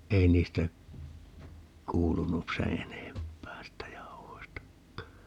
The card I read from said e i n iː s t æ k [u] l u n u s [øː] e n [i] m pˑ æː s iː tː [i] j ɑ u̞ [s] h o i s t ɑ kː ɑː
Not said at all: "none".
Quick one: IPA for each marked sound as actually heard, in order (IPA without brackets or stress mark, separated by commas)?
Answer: uː, eː, e, æ, none